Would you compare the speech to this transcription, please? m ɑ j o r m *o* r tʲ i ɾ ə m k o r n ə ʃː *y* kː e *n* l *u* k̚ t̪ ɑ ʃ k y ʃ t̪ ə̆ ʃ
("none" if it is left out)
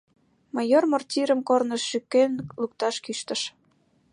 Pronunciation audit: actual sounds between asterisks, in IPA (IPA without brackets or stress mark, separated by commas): o, y, n, u